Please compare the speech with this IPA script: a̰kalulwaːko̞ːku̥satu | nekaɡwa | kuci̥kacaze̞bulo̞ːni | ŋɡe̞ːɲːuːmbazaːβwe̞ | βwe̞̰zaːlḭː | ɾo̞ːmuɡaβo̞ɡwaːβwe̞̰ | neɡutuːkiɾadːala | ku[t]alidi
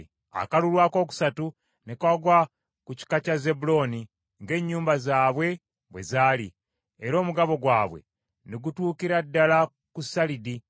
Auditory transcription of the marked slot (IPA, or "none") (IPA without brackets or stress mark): s